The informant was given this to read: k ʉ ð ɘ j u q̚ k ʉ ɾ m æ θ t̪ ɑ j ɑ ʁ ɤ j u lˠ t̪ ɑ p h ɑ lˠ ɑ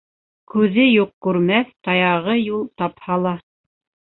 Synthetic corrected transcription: k ʉ ð ɘ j u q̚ k ʉ ɾ m æ θ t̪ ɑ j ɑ ʁ ɤ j u lˠ t̪ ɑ p h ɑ lˠ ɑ

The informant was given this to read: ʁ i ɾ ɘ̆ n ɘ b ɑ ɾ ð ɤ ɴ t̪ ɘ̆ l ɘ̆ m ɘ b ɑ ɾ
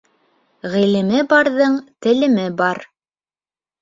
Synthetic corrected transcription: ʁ i l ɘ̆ m ɘ b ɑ ɾ ð ɤ ɴ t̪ ɘ̆ l ɘ̆ m ɘ b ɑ ɾ

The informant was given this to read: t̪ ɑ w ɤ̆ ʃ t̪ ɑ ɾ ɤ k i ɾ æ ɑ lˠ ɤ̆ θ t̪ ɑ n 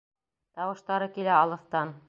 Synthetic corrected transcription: t̪ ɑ w ɤ̆ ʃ t̪ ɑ ɾ ɤ k i l æ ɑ lˠ ɤ̆ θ t̪ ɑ n

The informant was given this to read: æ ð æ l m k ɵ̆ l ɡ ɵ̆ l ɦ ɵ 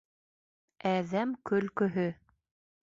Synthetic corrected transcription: æ ð æ m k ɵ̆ l k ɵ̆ ɦ ɵ

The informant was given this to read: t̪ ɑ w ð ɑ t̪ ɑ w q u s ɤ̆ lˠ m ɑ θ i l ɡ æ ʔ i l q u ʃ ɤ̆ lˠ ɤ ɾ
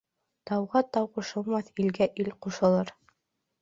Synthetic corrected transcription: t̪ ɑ w ʁ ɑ t̪ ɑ w q u ʃ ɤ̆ lˠ m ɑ θ i l ɡ æ ʔ i l q u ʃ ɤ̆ lˠ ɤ ɾ

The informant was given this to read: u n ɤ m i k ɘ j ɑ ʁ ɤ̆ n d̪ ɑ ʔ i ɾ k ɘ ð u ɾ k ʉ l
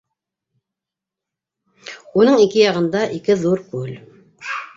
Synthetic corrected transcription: u n ɤ ɴ i k ɘ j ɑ ʁ ɤ̆ n d̪ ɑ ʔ i k ɘ ð u ɾ k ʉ l

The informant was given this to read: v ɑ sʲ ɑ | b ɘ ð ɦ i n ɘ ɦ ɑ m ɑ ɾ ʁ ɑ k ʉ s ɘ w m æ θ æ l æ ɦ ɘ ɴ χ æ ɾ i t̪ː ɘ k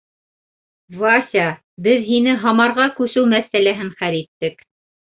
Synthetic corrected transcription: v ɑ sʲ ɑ | b ɘ ð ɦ i n ɘ ɦ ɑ m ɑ ɾ ʁ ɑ k ʉ s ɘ w m æ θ æ l æ ɦ ɘ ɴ χ æ ɾ i t̪ː ɘ k

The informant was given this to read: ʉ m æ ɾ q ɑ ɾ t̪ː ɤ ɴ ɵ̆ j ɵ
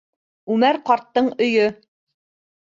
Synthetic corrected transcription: ʉ m æ ɾ q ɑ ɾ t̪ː ɤ ɴ ɵ̆ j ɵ

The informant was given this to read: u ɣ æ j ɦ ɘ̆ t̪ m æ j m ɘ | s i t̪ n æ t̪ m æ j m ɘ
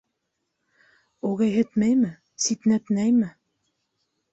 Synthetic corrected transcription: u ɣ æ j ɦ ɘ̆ t̪ m æ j m ɘ | s i t̪ n æ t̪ n æ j m ɘ

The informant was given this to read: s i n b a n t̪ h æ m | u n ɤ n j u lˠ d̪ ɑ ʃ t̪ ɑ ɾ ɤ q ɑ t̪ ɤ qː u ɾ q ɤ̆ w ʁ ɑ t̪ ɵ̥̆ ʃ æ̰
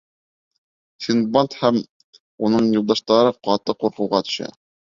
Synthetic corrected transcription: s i n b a n t̪ h æ m | u n ɤ ɴ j u lˠ d̪ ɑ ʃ t̪ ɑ ɾ ɤ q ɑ t̪ ɤ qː u ɾ q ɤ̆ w ʁ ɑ t̪ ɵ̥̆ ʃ æ̰

